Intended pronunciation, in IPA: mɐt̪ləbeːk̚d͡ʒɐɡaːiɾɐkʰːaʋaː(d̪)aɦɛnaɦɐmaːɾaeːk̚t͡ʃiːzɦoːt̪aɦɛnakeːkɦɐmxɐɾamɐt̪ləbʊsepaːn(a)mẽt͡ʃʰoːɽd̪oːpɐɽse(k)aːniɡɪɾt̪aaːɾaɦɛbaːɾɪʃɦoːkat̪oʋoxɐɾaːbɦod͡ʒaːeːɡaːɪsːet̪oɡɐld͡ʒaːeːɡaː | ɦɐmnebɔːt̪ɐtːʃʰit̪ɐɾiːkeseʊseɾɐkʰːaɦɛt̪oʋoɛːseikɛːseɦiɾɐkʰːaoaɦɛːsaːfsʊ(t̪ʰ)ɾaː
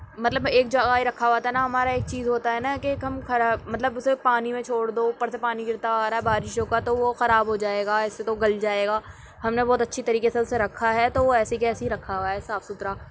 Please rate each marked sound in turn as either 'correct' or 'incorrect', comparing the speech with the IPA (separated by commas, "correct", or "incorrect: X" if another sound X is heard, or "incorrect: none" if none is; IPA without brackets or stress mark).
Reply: incorrect: t̪, incorrect: i, incorrect: p, incorrect: t̪